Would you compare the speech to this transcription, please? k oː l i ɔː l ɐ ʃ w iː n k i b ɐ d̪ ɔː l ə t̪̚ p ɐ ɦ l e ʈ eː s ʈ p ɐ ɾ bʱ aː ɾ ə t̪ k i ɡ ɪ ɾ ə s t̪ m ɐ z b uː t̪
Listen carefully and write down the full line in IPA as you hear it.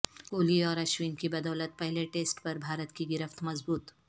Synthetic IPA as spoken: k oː l i ɔː ɾ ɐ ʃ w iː n k i b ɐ d̪ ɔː l ə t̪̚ p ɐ ɦ l e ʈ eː s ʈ p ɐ ɾ bʱ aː ɾ ə t̪ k i ɡ ɪ ɾ ə f t̪ m ɐ z b uː t̪